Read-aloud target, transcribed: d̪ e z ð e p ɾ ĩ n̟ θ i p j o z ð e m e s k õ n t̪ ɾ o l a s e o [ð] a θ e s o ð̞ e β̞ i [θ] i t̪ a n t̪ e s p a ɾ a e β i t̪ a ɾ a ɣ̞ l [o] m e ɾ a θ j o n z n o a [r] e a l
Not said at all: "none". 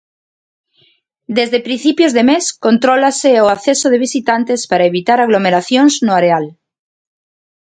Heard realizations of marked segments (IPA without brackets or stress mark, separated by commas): none, s, o, ɾ